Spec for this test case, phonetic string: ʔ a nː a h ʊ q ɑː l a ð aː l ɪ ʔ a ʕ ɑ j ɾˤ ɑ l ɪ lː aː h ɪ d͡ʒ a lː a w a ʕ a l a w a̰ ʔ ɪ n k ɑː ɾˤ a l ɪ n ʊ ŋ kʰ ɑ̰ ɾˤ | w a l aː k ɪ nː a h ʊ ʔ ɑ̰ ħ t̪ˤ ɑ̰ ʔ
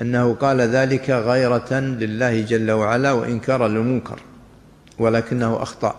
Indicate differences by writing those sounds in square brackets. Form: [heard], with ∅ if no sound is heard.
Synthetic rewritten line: ʔ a nː a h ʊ q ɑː l a ð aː l ɪ [k] a [ɣ] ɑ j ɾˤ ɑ l ɪ lː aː h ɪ d͡ʒ a lː a w a ʕ a l a w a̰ ʔ ɪ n k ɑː ɾˤ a l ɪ [m] ʊ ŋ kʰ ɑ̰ ɾˤ | w a l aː k ɪ nː a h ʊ ʔ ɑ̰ [x] t̪ˤ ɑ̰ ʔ